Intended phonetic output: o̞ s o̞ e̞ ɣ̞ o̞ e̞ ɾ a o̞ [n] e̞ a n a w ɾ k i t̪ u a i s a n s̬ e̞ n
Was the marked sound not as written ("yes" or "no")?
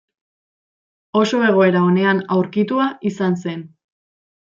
no